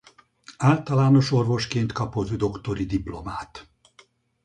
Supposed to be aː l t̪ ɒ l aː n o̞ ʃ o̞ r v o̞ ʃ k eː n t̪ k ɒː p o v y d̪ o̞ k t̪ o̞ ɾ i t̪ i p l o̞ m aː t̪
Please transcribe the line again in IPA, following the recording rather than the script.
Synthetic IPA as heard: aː l t̪ ɒ l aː n o̞ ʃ o̞ r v o̞ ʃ k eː n t̪ k ɒ p o z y d̪ o̞ k t̪ o̞ ɾ i d̪ i p l o̞ m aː t̪